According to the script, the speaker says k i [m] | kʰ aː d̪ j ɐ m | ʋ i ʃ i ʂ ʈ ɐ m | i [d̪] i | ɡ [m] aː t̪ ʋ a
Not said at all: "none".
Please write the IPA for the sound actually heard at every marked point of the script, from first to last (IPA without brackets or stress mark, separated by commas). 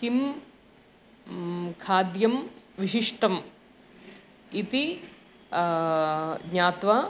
m, t̪, ɲ